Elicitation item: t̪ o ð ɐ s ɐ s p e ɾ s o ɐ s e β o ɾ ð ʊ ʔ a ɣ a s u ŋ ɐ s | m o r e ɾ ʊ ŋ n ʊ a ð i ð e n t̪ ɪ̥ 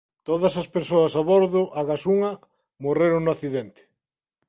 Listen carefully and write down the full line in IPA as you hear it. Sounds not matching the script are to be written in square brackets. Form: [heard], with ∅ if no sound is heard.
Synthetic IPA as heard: t̪ o ð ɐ s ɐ s p e ɾ s o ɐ s [a] β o ɾ ð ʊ ʔ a ɣ a s u ŋ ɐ [∅] | m o r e ɾ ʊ ŋ n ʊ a [θ] i ð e n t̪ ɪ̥